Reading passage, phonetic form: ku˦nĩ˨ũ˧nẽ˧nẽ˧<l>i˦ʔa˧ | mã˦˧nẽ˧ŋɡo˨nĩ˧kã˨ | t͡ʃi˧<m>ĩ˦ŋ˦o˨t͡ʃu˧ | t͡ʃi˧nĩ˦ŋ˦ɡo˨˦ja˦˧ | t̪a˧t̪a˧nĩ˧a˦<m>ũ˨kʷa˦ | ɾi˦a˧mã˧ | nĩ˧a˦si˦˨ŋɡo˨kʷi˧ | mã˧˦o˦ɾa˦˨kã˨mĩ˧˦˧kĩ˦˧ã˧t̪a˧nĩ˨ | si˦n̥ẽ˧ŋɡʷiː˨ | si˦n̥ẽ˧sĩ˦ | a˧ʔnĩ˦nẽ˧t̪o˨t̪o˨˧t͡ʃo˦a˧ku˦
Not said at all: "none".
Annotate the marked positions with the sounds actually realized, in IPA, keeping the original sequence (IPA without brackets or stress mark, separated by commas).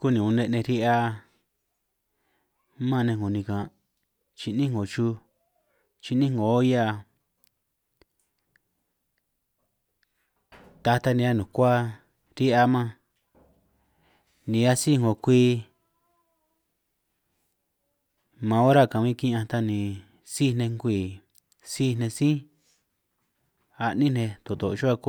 ɾ, n, n